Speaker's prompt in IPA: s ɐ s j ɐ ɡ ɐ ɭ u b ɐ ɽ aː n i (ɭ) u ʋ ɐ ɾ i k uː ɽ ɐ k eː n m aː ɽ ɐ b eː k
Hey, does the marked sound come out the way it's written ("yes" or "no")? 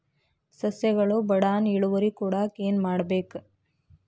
yes